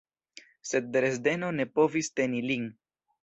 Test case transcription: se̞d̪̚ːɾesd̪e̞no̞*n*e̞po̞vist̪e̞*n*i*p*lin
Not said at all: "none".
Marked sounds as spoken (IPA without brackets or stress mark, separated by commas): n, n, none